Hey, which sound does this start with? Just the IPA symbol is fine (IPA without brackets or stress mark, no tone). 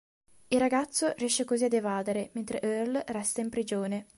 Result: i